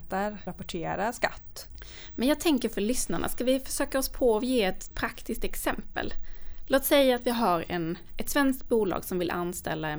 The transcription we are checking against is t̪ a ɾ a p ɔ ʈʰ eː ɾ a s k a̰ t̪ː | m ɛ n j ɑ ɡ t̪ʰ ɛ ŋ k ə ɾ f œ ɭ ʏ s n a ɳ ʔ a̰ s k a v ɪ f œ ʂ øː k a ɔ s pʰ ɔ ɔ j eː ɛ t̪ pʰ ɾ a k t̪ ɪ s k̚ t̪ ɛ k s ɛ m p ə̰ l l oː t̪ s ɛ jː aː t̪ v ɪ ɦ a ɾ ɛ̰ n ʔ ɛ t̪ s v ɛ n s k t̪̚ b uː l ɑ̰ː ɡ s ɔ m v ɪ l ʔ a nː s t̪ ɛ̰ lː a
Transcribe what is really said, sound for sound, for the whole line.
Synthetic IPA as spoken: t̪ a ɾ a p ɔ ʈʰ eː ɾ a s k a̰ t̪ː | m ɛ n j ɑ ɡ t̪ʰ ɛ ŋ k ə ɾ f œ ɭ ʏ s n a ɳ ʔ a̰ s k a v ɪ f œ ʂ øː k a ɔ s pʰ ɔ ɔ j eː ɛ t̪ pʰ ɾ a k t̪ ɪ s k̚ t̪ ɛ k s ɛ m p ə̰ l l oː t̪ s ɛ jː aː t̪ v ɪ ɦ a ɾ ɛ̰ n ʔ ɛ t̪ s v ɛ n s k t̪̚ b uː l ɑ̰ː ɡ s ɔ m v ɪ l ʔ a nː s t̪ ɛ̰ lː a